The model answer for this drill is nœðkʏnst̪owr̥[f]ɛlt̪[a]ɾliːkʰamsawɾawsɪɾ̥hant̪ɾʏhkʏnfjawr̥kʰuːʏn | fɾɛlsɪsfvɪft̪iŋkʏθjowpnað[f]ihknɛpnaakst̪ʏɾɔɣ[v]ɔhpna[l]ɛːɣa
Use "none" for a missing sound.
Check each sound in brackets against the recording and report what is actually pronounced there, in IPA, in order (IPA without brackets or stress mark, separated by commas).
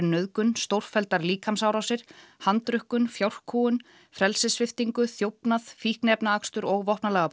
f, a, f, v, l